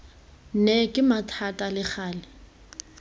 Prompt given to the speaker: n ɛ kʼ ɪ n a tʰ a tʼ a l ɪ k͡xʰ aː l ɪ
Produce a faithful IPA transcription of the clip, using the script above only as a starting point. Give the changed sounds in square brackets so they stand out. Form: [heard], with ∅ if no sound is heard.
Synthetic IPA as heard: n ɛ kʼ ɪ [m] a tʰ a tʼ a l ɪ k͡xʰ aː l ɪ